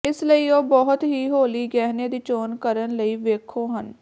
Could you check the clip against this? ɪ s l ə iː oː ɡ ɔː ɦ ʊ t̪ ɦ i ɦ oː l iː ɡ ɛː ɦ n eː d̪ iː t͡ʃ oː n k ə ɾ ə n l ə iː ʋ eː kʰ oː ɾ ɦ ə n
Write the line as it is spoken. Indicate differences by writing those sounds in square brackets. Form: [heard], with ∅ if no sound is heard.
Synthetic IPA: ɪ s l ə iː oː [b] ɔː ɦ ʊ t̪ ɦ [iː] ɦ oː l iː ɡ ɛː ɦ n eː d̪ iː t͡ʃ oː n k ə ɾ ə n l ə iː ʋ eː kʰ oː [∅] ɦ ə n